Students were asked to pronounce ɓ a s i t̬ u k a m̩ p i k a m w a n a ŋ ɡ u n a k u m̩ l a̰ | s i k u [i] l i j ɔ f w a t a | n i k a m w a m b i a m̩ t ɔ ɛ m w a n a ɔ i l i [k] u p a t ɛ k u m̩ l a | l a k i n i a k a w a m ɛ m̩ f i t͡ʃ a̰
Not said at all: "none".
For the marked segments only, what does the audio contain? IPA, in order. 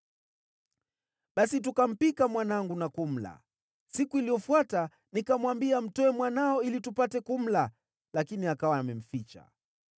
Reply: i, t

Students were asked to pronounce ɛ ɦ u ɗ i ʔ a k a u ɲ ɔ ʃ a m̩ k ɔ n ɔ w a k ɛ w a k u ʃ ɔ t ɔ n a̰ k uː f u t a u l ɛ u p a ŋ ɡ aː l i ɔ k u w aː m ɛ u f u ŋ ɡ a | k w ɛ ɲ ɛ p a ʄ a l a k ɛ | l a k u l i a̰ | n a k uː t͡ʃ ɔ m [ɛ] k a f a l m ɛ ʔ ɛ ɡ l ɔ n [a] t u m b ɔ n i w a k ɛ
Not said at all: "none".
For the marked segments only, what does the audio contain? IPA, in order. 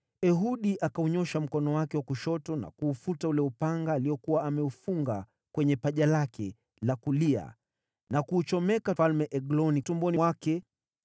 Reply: ɛ, i

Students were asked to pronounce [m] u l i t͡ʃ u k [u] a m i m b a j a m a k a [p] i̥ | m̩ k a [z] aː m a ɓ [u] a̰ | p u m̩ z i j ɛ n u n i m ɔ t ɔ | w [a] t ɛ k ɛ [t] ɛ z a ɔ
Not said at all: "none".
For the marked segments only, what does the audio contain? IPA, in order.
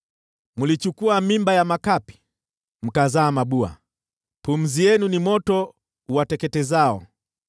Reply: m, u, p, z, u, a, t

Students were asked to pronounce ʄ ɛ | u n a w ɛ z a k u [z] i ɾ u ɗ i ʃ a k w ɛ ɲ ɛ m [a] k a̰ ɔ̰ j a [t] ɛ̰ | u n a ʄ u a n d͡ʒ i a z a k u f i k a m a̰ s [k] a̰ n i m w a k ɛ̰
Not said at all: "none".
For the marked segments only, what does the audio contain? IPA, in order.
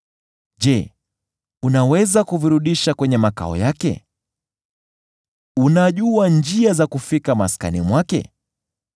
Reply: v, a, k, k

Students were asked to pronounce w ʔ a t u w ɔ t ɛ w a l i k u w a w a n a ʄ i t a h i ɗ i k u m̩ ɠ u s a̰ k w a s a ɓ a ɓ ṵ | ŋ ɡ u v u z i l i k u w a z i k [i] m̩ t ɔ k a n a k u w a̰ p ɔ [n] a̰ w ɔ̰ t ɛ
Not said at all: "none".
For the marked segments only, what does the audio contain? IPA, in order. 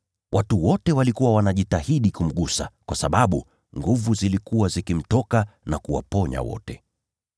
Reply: i, ɲ

